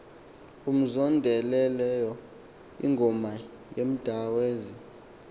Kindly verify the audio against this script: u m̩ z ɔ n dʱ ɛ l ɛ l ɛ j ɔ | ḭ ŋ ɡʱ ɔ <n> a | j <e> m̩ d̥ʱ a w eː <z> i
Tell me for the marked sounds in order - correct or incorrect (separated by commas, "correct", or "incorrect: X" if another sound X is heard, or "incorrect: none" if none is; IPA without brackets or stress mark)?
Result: incorrect: m, correct, correct